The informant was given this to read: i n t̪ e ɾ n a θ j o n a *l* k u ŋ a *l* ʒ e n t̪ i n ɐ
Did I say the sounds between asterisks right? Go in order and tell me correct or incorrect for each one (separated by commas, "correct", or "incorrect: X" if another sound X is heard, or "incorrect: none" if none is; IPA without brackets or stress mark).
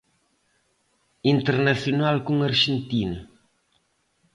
correct, incorrect: ɾ